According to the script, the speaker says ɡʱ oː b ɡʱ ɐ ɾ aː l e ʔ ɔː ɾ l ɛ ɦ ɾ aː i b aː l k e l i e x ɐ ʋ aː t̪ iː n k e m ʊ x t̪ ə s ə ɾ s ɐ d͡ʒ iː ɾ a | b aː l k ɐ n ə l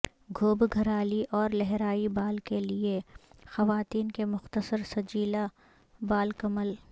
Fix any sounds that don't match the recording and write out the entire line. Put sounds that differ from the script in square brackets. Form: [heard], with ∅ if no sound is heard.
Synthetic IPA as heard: ɡʱ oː b ɡʱ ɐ ɾ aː l [i] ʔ ɔː ɾ l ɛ ɦ ɾ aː i b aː l k e l i e x ɐ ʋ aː t̪ iː n k e m ʊ x t̪ ə s ə ɾ s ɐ d͡ʒ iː [l] a | b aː l k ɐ [m] ə l